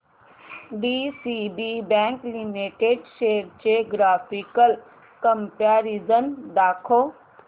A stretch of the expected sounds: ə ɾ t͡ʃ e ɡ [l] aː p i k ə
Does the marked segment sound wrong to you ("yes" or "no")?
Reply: yes